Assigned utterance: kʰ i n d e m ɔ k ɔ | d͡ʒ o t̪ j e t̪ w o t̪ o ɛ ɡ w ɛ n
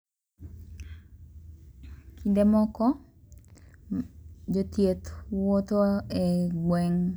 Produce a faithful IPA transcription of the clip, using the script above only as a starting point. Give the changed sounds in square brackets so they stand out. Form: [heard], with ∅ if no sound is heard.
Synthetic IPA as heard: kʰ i n d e m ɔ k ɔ | d͡ʒ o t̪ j e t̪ w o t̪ o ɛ ɡ w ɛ [ŋ]

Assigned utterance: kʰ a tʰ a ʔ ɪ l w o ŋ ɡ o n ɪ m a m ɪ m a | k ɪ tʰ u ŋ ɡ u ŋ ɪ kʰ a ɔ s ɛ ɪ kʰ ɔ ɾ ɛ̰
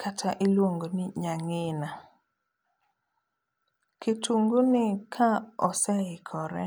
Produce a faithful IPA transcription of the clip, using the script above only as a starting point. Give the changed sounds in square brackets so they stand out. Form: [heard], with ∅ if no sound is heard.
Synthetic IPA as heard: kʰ a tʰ a ʔ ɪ l w o ŋ ɡ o n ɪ [ɲ] a [ŋ] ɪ [n] a | k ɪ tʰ u ŋ ɡ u [n] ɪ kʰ a ɔ s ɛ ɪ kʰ ɔ ɾ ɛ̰

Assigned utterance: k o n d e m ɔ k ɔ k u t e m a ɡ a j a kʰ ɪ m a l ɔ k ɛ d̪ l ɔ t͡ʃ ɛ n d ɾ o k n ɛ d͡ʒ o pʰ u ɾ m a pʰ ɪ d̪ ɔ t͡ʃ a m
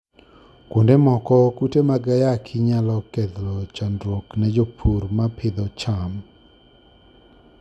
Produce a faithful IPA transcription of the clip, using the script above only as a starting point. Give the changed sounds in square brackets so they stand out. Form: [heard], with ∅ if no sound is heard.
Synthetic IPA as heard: k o n d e m ɔ k ɔ k u t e m a ɡ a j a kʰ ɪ [ɲ] a l ɔ k ɛ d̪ l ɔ t͡ʃ [a] n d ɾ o k n ɛ d͡ʒ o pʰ u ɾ m a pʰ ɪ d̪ ɔ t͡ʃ a m

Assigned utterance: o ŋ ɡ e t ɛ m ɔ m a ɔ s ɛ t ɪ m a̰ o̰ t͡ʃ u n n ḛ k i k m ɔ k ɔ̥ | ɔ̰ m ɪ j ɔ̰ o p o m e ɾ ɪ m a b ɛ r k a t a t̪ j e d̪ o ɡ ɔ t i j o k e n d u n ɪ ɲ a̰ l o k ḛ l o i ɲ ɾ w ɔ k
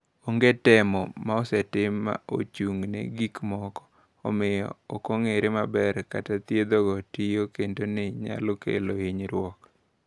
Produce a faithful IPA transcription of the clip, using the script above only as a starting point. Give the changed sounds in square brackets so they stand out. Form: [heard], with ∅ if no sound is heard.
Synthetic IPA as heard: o ŋ ɡ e t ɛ m ɔ m a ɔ s ɛ t ɪ m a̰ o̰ t͡ʃ u [ŋ] n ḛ [ɡ] i k m ɔ k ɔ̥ | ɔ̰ m ɪ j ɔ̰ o [k] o [ŋ] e ɾ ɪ m a b ɛ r k a t a t̪ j e d̪ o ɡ ɔ t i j o k e n d [o] n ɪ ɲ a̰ l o k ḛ l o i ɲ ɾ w ɔ k

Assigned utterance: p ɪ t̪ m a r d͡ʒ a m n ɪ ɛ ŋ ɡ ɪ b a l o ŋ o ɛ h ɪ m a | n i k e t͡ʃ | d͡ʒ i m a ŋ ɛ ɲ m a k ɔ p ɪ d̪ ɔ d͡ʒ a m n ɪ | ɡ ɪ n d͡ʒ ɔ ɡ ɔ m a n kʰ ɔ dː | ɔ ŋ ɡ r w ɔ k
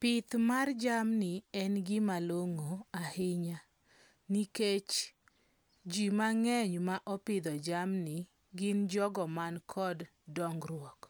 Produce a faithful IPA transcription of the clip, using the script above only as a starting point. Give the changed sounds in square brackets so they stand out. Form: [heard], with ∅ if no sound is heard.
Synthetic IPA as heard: p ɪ t̪ m a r d͡ʒ a m n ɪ ɛ [n] ɡ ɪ [m] a l o ŋ o [a] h ɪ [ɲ] a | n i k e t͡ʃ | d͡ʒ i m a ŋ ɛ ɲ m a [ʔ] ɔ p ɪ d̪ ɔ d͡ʒ a m n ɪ | ɡ ɪ n d͡ʒ ɔ ɡ ɔ m a n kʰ ɔ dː | ɔ ŋ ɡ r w ɔ k

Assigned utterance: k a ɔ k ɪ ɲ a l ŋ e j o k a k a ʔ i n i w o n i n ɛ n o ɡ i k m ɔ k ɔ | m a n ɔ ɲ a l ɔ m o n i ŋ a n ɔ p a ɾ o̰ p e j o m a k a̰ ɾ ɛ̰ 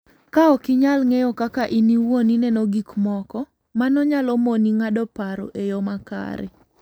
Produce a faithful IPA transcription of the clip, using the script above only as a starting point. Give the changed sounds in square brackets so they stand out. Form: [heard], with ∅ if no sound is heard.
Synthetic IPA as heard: k a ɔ k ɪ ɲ a l ŋ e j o k a k a ʔ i n i w o n i n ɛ n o ɡ i k m ɔ k ɔ | m a n ɔ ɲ a l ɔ m o n i ŋ a [d] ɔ p a ɾ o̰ [ʔ] e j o m a k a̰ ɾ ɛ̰

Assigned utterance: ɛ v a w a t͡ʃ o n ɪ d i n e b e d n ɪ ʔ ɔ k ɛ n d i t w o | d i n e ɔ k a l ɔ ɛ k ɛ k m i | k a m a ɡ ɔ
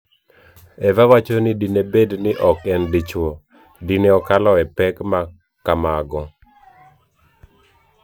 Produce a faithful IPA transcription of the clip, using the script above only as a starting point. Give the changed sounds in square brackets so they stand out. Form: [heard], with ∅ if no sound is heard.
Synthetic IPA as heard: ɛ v a w a t͡ʃ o n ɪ d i n e b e d n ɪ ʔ ɔ k ɛ n d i [t͡ʃ] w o | d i n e ɔ k a l ɔ ɛ [p] ɛ k m [a] | k a m a ɡ ɔ

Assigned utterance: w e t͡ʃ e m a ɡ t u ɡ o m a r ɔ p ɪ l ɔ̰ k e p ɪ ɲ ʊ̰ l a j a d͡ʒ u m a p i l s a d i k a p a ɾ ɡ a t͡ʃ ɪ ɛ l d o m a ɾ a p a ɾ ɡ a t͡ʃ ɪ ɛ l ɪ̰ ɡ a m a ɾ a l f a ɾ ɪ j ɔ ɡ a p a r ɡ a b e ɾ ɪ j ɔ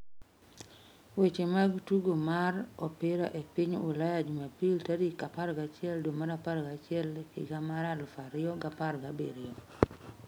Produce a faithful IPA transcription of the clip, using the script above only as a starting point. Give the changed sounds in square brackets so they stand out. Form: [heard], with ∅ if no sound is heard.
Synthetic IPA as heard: w e t͡ʃ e m a ɡ t u ɡ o m a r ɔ p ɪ [ɾ] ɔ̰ [ʔ] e p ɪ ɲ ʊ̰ l a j a d͡ʒ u m a p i l [t] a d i k a p a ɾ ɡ a t͡ʃ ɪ ɛ l d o m a ɾ a p a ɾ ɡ a t͡ʃ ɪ ɛ l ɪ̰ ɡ a m a ɾ a l f a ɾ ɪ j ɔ ɡ a p a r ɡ a b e ɾ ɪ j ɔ

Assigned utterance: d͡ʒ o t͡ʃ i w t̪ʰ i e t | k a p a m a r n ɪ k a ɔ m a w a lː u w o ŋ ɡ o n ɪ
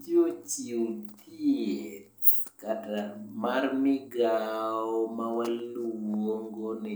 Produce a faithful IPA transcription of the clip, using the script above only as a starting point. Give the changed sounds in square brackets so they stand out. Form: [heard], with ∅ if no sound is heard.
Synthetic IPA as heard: d͡ʒ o t͡ʃ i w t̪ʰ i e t | k a [t] a m a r [m] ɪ [ɡ] a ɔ m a w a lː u w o ŋ ɡ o n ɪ

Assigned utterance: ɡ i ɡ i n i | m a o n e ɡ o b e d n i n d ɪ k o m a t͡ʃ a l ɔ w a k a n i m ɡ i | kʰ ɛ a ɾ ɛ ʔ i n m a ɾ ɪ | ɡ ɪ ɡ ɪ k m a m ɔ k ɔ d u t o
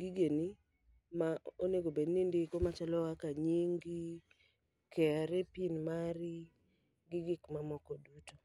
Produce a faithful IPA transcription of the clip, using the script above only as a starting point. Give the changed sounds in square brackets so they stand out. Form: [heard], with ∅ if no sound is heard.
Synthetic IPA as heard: ɡ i ɡ [e] n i | m a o n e ɡ o b e d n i n d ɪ k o m a t͡ʃ a l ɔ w a k a [ɲ] i [ŋ] ɡ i | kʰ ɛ a ɾ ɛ [p] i n m a ɾ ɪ | ɡ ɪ ɡ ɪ k m a m ɔ k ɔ d u t o

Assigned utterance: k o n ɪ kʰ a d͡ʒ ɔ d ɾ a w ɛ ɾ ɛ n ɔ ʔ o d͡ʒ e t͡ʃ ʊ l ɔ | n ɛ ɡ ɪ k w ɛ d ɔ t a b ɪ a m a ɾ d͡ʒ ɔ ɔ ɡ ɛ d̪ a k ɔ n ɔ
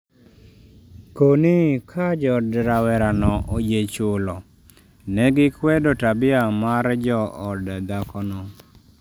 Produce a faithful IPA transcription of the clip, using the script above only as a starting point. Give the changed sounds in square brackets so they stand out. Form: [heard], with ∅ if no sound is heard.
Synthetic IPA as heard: k o n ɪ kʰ a d͡ʒ ɔ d ɾ a w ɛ ɾ [a] n ɔ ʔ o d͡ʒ e t͡ʃ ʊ l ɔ | n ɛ ɡ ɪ k w ɛ d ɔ t a b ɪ a m a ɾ d͡ʒ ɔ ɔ [d] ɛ d̪ a k ɔ n ɔ

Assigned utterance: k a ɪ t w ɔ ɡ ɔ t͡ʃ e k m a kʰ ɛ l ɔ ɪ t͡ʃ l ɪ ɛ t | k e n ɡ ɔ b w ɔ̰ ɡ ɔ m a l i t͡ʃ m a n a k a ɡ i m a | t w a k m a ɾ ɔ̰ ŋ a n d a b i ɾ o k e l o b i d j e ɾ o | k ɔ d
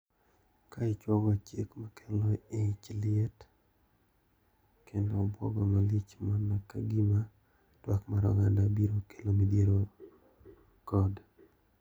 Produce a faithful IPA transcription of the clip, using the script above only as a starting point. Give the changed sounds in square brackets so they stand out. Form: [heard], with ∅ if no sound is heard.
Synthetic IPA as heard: k a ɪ [t͡ʃ] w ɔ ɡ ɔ t͡ʃ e k m a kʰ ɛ l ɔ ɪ t͡ʃ l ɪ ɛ t | k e n [d] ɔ b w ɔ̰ ɡ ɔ m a l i t͡ʃ m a n a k a ɡ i m a | t w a k m a ɾ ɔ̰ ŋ a n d a b i ɾ o k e l o [m] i d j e ɾ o | k ɔ d

